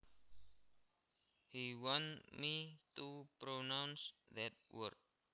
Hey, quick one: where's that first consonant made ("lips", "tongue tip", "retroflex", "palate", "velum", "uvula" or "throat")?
throat